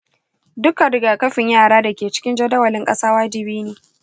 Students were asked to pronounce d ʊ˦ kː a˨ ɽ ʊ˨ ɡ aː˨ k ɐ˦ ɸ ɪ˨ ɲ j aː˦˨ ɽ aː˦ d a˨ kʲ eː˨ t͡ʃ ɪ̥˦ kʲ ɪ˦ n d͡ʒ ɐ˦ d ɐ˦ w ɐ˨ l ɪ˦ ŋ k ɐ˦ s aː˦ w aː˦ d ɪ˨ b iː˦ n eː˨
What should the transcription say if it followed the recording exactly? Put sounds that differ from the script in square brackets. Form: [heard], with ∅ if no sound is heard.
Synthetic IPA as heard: d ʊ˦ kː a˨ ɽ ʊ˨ ɡ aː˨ k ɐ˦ ɸ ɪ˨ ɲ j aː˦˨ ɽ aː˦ d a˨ kʲ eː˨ t͡ʃ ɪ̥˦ kʲ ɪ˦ n d͡ʒ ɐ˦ d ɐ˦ w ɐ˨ l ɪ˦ ŋ [kʼ] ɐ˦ s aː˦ w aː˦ [d͡ʒ] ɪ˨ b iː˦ n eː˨